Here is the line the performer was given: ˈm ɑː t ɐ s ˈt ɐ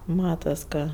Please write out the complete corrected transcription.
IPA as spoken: ˈm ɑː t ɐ s ˈk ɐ